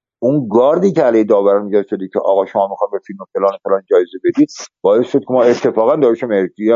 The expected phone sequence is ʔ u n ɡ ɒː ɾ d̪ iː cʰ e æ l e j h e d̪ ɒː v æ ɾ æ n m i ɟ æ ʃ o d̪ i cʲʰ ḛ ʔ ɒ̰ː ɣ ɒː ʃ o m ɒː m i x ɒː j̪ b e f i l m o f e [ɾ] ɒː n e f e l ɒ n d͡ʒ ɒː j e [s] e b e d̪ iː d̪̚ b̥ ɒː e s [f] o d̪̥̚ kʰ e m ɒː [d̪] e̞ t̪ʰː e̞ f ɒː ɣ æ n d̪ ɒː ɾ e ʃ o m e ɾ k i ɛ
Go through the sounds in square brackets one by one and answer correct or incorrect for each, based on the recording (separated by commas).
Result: incorrect, incorrect, incorrect, incorrect